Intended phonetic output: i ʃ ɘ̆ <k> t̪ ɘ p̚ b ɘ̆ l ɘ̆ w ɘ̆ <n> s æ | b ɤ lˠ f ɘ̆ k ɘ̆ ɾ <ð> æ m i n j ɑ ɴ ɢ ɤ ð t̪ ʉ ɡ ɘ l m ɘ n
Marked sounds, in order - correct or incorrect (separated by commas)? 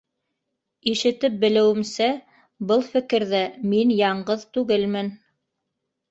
incorrect, incorrect, correct